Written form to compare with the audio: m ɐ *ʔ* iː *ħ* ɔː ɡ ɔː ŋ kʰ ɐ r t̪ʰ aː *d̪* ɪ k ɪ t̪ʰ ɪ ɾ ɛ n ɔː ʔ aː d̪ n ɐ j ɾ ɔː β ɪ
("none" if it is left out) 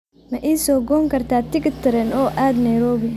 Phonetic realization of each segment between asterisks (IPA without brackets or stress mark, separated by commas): ʔ, s, t̪